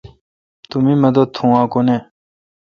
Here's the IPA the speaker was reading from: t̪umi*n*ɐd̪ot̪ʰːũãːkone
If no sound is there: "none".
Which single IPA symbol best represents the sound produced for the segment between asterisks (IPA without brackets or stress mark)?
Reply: m